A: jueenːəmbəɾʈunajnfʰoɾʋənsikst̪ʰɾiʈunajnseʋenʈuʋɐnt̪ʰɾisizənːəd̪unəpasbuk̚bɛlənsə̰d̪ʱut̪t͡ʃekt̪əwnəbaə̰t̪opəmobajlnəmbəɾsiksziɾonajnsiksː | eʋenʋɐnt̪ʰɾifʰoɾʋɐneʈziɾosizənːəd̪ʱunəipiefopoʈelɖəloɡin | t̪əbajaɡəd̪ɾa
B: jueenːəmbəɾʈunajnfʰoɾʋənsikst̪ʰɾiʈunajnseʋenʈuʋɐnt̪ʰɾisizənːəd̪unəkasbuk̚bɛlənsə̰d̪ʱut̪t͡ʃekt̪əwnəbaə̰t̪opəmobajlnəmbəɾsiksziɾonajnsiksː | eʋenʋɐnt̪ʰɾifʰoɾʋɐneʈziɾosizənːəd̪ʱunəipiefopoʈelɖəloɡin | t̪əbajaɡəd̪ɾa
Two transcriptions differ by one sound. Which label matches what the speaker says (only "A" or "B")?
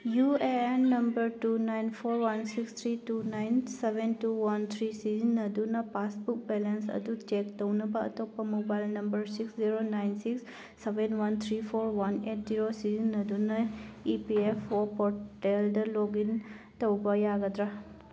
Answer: A